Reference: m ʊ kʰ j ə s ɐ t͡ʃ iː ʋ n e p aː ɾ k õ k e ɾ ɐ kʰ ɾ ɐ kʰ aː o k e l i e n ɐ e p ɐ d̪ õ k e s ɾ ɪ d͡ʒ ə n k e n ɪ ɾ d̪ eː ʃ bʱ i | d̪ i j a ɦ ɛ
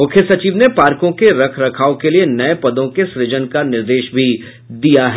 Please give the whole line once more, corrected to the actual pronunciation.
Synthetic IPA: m ʊ kʰ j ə s ɐ t͡ʃ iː ʋ n e p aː ɾ k õ k e ɾ ɐ kʰ ɾ ɐ kʰ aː o k e l i e n ɐ e p ɐ d̪ õ k e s ɾ ɪ d͡ʒ ə n k a n ɪ ɾ d̪ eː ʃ bʱ i | d̪ i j a ɦ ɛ